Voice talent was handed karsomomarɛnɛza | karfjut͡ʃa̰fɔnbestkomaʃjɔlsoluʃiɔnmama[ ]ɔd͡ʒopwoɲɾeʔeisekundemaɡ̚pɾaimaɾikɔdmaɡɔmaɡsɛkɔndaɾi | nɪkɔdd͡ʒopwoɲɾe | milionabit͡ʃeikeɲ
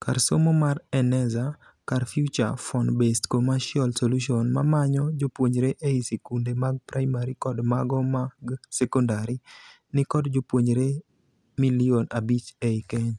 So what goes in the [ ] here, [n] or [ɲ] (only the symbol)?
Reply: ɲ